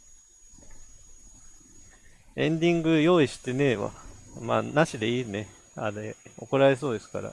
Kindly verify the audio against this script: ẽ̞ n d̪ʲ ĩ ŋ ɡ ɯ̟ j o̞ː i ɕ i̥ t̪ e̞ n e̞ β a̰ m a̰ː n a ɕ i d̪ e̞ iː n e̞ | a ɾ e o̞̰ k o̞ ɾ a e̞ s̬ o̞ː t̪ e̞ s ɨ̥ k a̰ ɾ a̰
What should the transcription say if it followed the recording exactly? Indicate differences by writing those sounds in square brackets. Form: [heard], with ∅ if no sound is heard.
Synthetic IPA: ẽ̞ n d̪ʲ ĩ ŋ ɡ ɯ̟ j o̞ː i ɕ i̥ t̪ e̞ n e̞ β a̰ m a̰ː n a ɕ i d̪ e̞ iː n e̞ | a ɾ e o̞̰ k o̞ ɾ a e̞ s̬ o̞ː [d̪] e̞ s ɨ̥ k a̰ ɾ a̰